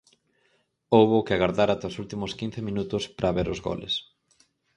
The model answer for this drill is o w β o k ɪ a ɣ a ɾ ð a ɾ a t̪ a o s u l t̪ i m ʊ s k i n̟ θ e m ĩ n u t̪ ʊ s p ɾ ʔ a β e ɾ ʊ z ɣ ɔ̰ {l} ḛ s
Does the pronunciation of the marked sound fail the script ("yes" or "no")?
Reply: no